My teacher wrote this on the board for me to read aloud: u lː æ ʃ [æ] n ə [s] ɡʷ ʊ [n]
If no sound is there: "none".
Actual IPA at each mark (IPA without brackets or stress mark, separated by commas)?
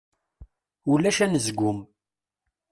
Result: æ, z, m